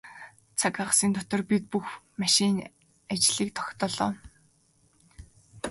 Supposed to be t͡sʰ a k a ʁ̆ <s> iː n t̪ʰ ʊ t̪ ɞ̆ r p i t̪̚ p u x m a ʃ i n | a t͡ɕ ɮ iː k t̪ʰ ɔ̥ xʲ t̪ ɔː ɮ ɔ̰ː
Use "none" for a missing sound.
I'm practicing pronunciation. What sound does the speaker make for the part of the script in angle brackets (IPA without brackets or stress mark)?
s